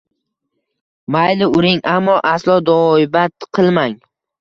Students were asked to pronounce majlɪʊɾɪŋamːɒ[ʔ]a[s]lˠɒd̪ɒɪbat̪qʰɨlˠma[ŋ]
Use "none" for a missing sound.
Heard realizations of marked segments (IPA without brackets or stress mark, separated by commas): ʔ, s, ŋ